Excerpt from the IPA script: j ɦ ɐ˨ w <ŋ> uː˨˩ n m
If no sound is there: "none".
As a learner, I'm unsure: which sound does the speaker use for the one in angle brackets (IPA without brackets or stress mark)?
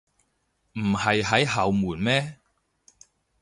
m